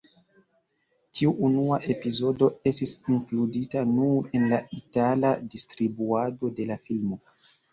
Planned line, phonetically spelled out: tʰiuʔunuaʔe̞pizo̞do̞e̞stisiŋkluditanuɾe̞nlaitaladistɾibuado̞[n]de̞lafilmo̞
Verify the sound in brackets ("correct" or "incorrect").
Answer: incorrect